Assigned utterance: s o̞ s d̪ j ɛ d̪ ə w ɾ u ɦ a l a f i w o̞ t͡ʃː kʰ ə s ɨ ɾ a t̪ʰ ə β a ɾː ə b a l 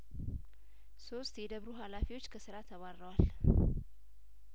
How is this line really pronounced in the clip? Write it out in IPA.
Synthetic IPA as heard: s o̞ s t̪ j ɛ d̪ ə β ɾ u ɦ a l a f i w o̞ t͡ʃː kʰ ə s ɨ ɾ a t̪ʰ ə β a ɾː ə w a l